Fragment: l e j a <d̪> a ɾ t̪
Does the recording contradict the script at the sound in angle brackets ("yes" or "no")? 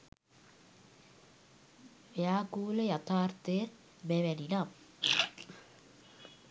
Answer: yes